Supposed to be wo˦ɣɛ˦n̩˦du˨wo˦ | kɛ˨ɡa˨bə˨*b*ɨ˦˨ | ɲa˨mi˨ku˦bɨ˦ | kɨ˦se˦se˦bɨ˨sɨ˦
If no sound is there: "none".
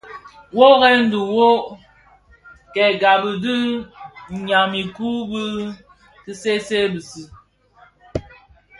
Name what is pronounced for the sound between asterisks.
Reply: d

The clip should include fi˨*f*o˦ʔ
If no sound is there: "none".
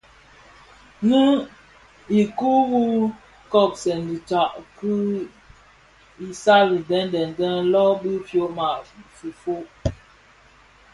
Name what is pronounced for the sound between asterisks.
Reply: f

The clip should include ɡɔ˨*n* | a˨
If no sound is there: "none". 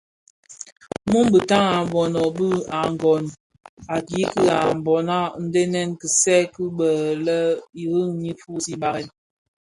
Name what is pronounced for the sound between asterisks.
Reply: n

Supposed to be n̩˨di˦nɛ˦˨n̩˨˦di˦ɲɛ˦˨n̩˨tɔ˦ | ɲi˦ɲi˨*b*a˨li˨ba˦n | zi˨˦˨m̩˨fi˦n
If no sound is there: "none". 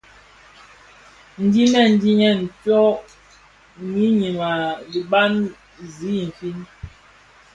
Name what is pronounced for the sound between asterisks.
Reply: m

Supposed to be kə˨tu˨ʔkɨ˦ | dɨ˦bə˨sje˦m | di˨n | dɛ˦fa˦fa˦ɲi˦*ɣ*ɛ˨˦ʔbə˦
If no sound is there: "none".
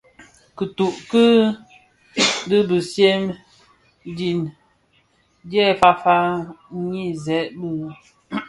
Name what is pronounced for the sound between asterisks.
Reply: z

